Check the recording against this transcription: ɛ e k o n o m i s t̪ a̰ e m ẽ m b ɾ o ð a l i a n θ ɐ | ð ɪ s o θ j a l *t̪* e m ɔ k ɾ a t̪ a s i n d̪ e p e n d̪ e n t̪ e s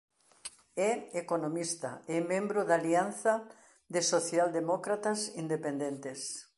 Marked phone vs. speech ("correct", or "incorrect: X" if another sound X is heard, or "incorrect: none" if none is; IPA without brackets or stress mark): incorrect: d̪